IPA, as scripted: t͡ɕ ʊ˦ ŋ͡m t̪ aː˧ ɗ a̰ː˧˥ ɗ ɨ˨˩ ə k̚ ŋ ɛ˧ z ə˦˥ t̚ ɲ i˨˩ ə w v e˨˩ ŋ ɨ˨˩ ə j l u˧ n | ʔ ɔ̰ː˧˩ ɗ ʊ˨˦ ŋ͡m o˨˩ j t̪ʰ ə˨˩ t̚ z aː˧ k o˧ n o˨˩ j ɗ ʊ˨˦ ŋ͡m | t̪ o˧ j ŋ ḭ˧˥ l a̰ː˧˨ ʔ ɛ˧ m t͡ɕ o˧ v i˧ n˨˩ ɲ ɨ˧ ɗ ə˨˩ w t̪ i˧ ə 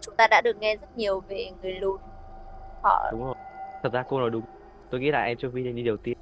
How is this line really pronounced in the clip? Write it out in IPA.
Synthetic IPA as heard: t͡ɕ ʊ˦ ŋ͡m t̪ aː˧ ɗ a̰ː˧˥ ɗ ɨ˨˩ ə k̚ ŋ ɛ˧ z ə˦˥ t̚ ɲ i˨˩ ə w v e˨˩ ŋ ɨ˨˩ ə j l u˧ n | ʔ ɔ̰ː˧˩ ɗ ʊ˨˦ ŋ͡m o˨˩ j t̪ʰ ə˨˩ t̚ z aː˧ k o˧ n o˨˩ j ɗ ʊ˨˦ ŋ͡m | t̪ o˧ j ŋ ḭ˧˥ l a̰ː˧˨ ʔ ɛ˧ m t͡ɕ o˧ v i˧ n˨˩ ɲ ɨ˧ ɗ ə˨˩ w t̪ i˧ ə